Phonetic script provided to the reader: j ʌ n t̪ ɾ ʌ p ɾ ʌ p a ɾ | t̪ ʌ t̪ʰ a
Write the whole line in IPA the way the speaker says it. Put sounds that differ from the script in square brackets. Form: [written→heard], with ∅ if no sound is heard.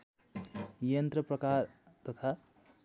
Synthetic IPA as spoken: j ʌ n t̪ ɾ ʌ p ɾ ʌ [p→k] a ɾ | t̪ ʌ t̪ʰ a